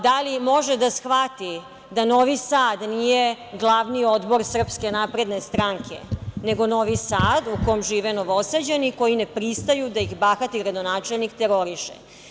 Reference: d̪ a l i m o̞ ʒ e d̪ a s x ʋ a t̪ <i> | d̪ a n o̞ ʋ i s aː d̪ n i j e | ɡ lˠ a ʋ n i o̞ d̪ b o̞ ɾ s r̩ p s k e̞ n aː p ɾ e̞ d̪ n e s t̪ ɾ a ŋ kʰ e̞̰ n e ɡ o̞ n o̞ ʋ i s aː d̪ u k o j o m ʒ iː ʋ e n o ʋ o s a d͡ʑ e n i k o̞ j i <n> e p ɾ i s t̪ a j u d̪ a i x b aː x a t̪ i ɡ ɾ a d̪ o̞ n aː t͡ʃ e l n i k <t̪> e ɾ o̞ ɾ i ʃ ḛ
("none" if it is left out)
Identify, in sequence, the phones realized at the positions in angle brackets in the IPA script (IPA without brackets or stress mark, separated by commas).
i, n, t̪